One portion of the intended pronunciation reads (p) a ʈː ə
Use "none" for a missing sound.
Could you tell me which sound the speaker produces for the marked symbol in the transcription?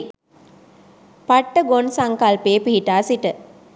p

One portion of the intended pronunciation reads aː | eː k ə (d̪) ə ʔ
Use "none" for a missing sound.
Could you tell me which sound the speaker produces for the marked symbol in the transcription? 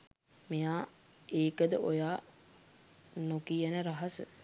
d̪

